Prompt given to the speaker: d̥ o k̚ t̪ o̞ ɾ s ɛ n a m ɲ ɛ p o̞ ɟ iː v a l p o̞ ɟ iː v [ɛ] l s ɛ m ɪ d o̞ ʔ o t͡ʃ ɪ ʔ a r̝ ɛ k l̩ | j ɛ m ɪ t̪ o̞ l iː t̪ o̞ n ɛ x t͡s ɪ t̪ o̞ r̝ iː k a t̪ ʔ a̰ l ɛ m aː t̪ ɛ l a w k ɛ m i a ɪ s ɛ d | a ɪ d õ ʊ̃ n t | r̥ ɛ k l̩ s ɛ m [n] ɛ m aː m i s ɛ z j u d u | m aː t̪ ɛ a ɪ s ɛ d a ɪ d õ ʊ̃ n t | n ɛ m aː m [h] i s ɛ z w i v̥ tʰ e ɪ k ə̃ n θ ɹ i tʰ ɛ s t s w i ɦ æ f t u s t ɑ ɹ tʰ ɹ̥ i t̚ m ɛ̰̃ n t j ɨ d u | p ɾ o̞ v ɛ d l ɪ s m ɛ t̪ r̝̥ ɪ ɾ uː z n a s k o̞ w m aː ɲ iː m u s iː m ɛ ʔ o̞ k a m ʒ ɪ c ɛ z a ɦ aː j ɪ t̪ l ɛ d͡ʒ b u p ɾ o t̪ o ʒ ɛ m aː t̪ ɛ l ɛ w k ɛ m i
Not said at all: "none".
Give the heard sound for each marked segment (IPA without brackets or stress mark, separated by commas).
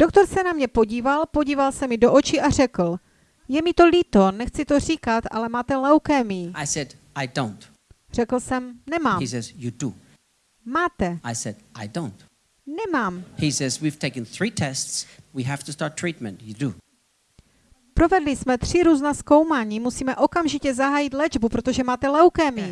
a, n, h